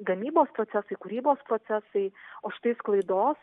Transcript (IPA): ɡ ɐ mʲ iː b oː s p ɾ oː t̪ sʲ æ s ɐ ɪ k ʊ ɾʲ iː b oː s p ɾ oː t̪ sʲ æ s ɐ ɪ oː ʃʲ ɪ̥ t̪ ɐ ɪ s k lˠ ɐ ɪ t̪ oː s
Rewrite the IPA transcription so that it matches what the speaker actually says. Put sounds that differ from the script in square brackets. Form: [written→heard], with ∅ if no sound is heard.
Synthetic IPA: ɡ ɐ mʲ iː b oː s p ɾ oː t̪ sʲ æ s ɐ ɪ k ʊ ɾʲ iː b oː s p ɾ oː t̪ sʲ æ s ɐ ɪ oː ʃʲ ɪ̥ t̪ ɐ ɪ s k lˠ ɐ ɪ [t̪→d̪] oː s

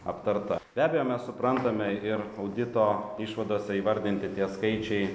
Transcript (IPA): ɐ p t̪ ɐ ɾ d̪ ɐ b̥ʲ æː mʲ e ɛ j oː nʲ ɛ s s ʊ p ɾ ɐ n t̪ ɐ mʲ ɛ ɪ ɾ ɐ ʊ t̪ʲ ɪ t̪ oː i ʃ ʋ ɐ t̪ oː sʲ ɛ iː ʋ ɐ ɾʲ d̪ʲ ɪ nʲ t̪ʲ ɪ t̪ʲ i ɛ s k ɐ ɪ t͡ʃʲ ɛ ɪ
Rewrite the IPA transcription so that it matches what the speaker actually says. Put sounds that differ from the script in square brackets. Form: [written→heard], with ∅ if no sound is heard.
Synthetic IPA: ɐ p t̪ ɐ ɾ [d̪→t̪] ɐ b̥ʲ æː [mʲ→bʲ] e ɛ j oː [nʲ→mʲ] ɛ s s ʊ p ɾ ɐ n t̪ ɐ mʲ ɛ ɪ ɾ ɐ ʊ [t̪ʲ→d̪ʲ] ɪ t̪ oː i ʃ ʋ ɐ [t̪→d̪] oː sʲ ɛ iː ʋ ɐ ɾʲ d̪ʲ ɪ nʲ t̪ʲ ɪ t̪ʲ i ɛ s k ɐ ɪ t͡ʃʲ ɛ ɪ

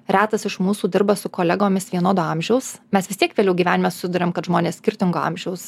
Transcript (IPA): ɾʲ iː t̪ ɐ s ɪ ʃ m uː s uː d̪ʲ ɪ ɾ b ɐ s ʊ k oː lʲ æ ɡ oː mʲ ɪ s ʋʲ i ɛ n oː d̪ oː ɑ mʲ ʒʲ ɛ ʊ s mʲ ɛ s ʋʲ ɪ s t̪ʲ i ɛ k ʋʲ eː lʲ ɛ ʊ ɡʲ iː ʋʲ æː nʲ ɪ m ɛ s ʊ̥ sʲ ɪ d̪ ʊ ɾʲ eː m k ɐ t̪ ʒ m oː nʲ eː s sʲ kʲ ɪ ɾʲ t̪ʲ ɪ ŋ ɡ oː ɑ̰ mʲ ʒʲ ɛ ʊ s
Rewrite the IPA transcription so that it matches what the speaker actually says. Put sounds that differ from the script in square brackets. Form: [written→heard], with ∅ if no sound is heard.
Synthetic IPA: ɾʲ [iː→æː] t̪ ɐ s ɪ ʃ m uː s uː d̪ʲ ɪ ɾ b ɐ s ʊ k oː lʲ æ ɡ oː mʲ ɪ s ʋʲ i ɛ n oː d̪ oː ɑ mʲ ʒʲ ɛ ʊ s mʲ ɛ s ʋʲ ɪ s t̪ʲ i ɛ k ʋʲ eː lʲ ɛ ʊ ɡʲ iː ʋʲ æː nʲ ɪ m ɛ s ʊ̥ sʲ ɪ d̪ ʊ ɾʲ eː m k ɐ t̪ ʒ m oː nʲ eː s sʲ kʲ ɪ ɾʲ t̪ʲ ɪ ŋ ɡ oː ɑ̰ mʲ ʒʲ ɛ ʊ s

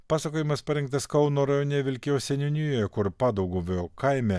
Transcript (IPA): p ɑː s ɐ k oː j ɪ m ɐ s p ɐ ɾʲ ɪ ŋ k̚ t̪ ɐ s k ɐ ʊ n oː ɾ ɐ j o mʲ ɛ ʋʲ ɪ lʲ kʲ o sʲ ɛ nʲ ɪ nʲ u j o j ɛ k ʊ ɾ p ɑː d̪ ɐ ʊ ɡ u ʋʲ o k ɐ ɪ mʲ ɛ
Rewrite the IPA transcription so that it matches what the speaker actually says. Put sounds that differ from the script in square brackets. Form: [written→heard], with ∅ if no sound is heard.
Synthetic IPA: p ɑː s ɐ k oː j ɪ m ɐ s p ɐ ɾʲ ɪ ŋ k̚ t̪ ɐ s k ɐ ʊ n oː ɾ ɐ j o [mʲ→nʲ] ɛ ʋʲ ɪ lʲ kʲ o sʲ ɛ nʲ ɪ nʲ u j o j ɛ k ʊ ɾ p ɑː d̪ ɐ ʊ ɡ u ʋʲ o k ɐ ɪ mʲ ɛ

